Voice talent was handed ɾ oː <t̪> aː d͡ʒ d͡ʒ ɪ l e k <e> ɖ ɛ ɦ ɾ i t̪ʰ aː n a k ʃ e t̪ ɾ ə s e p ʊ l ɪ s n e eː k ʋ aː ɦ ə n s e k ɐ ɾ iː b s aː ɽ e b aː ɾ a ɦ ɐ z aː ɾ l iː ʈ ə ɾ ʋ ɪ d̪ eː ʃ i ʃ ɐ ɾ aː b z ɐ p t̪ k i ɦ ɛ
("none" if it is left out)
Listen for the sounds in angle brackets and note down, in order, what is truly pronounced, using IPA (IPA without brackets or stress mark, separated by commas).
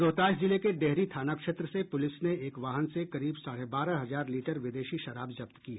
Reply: t̪, e